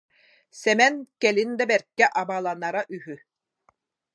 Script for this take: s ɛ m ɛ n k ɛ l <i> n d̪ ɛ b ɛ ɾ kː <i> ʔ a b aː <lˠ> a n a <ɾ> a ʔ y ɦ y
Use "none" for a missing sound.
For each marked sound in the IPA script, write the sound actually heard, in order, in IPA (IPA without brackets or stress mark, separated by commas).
i, ɛ, lˠ, ɾ